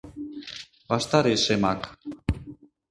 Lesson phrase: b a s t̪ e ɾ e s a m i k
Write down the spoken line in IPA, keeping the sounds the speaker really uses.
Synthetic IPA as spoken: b a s t̪ a ɾ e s e m a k